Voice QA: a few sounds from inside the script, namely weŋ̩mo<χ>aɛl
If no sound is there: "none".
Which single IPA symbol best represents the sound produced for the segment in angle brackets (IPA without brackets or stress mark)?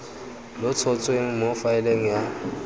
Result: f